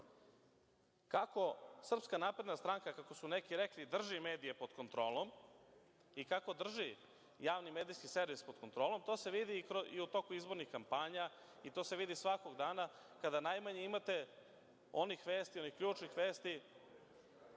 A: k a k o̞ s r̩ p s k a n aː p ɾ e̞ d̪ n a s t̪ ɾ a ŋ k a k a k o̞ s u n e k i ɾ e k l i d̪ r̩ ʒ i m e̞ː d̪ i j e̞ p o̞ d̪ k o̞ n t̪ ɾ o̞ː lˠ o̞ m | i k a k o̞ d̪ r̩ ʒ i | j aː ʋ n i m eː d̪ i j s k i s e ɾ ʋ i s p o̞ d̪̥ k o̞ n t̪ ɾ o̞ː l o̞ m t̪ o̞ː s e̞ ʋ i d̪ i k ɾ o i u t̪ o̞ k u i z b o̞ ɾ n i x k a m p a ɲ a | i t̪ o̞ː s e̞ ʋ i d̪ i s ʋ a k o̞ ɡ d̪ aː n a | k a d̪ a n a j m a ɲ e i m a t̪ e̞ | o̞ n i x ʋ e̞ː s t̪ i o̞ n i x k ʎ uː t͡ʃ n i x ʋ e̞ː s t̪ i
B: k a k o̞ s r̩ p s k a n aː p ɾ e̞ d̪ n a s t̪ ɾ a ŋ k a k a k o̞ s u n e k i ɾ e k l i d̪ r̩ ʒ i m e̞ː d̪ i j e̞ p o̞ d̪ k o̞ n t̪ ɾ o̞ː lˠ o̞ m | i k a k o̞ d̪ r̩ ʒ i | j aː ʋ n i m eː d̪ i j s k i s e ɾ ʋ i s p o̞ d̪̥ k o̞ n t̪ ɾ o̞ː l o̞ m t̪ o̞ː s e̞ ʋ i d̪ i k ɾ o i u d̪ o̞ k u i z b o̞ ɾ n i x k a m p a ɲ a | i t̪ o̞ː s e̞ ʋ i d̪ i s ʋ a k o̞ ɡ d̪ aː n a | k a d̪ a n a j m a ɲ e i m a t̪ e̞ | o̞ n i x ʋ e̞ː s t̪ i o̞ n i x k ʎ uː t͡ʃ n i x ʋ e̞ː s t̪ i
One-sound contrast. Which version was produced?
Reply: A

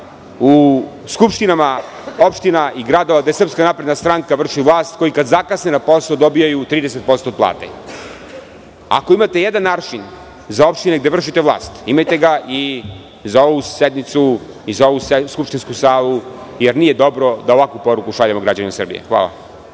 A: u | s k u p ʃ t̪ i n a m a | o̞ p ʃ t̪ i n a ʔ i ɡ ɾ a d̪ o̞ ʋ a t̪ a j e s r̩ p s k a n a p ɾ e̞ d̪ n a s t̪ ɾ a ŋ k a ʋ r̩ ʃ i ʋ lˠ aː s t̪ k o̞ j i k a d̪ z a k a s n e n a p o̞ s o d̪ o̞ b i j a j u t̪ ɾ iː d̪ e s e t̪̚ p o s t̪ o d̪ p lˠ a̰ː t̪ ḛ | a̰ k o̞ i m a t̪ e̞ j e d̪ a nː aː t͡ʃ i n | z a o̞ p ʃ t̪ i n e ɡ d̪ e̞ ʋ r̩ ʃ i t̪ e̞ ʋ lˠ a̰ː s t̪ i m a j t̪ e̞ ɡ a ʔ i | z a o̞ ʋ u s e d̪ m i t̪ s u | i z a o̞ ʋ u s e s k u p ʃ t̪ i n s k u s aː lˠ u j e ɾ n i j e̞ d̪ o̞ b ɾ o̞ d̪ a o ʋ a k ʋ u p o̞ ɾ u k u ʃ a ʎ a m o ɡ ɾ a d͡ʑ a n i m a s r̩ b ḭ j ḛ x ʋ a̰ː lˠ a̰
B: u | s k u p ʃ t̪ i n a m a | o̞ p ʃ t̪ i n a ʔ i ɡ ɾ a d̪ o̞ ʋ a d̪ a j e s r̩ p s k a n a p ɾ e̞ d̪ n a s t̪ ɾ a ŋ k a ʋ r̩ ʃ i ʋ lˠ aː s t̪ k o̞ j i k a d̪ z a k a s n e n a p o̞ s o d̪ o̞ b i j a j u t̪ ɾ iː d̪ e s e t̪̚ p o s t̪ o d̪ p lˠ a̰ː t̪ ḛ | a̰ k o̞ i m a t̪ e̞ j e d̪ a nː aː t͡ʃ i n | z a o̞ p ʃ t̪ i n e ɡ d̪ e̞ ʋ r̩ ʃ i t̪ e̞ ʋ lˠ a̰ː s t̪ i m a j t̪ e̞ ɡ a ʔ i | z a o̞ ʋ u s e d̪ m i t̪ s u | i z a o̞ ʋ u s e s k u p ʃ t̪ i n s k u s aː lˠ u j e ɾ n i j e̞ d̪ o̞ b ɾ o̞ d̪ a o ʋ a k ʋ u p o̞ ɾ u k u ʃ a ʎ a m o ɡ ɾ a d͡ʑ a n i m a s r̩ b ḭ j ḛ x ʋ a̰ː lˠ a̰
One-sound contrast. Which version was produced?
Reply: B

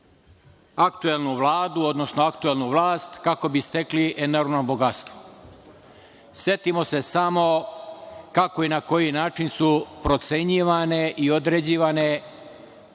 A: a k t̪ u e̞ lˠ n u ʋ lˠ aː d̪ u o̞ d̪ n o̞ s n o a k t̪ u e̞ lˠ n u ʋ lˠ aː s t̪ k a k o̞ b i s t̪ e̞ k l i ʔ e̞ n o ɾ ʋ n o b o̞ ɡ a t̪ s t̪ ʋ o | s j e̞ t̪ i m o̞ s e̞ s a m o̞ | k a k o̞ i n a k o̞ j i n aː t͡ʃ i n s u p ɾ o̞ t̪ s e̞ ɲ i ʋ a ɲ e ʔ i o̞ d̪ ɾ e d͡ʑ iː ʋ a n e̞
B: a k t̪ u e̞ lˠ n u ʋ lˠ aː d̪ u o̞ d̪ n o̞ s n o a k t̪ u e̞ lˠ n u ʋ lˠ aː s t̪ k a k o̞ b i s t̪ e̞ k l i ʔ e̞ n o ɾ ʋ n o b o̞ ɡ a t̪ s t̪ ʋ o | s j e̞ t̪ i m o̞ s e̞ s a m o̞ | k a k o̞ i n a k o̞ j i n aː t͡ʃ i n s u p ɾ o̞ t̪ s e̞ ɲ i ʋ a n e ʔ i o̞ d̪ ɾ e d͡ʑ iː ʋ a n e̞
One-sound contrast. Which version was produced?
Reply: B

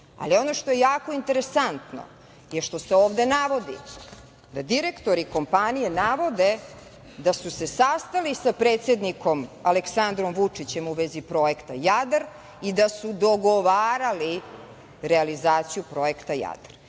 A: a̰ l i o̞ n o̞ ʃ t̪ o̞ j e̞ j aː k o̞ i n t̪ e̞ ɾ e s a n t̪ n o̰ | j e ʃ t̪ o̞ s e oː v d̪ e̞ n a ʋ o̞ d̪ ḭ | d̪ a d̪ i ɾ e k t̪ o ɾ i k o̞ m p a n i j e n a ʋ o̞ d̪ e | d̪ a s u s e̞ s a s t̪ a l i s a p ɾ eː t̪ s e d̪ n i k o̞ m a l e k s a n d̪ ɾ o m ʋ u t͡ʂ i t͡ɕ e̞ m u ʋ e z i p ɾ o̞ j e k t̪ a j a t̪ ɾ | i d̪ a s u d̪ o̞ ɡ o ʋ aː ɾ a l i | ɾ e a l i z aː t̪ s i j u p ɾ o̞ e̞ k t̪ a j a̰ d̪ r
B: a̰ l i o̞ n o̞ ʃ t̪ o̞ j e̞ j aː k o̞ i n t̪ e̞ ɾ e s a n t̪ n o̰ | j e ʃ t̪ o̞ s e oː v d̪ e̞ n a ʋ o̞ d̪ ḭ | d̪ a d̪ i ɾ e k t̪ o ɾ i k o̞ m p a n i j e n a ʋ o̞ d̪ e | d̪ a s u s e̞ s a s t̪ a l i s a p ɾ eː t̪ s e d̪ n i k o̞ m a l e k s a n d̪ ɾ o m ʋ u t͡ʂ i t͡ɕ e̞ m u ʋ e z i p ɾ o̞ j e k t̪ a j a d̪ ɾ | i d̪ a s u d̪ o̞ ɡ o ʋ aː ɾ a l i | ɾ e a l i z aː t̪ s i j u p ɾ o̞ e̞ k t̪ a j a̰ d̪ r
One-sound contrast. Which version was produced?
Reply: B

